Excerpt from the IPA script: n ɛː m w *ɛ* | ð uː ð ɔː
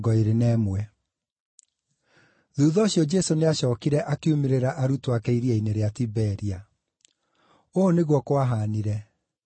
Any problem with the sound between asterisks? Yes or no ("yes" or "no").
no